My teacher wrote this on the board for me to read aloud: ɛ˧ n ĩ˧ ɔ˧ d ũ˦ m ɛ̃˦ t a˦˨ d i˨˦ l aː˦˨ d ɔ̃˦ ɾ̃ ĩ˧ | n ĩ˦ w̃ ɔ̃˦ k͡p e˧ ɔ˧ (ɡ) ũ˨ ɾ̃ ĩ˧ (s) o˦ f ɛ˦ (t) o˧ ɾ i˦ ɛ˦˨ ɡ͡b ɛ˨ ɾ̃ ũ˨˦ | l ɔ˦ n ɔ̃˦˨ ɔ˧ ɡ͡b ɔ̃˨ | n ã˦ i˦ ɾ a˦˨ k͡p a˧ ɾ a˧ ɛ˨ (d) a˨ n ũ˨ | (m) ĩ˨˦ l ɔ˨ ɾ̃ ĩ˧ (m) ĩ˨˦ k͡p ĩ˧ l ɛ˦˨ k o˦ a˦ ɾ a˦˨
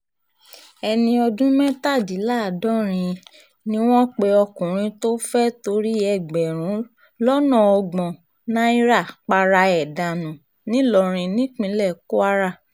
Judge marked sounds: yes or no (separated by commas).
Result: no, no, yes, yes, no, no